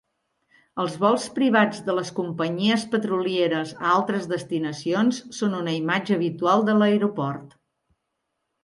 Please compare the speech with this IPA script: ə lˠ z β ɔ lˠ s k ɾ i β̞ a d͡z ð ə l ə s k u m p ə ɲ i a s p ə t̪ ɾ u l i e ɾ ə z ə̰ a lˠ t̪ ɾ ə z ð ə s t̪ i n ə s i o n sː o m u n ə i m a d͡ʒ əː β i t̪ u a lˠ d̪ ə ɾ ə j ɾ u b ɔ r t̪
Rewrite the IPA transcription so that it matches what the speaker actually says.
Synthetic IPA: ə lˠ z β ɔ lˠ s p ɾ i β̞ a d͡z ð ə l ə s k u m p ə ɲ i ə s p ə t̪ ɾ u l i e ɾ ə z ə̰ a lˠ t̪ ɾ ə z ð ə s t̪ i n ə s i o n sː o n u n ə i m a d͡ʒ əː β i t̪ u a lˠ d̪ ə l ə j ɾ u p ɔ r t̪